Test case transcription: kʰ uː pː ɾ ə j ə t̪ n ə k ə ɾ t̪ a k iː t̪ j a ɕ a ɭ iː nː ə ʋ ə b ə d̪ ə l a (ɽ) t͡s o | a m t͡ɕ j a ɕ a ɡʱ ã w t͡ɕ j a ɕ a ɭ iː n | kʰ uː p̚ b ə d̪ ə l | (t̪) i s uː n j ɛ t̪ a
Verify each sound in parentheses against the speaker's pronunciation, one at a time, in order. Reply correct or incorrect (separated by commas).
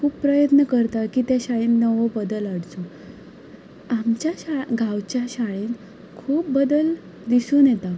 correct, incorrect